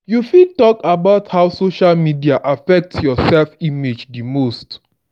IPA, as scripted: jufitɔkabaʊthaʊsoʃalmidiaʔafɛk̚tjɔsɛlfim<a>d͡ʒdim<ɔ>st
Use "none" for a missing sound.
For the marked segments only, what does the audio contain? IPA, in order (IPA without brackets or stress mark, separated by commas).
e, o